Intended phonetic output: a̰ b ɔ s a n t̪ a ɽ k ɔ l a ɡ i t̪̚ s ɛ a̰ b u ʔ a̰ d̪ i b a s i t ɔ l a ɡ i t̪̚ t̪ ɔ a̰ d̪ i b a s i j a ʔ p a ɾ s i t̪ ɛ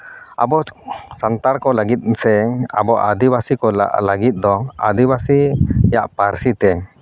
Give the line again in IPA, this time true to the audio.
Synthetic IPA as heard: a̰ b ɔ s a n t̪ a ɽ k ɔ l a ɡ i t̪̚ s ɛ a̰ b ɔ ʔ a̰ d̪ i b a s i k ɔ l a ɡ i t̪̚ d̪ ɔ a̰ d̪ i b a s i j a ʔ p a ɾ s i t̪ ɛ